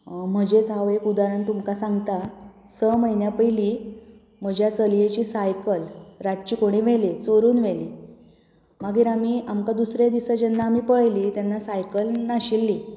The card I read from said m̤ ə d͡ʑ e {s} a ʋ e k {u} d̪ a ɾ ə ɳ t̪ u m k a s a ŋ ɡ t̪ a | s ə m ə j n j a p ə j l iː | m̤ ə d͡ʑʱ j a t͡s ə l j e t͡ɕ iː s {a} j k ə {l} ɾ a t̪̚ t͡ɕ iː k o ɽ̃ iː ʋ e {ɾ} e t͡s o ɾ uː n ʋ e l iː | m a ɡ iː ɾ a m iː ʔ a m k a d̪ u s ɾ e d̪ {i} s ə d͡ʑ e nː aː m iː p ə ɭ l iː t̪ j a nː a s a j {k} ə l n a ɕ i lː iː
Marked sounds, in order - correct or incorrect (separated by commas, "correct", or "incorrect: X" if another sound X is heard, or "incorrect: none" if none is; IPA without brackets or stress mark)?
incorrect: t͡s, correct, correct, correct, incorrect: l, correct, correct